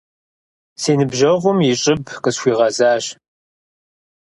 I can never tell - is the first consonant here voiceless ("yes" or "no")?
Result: yes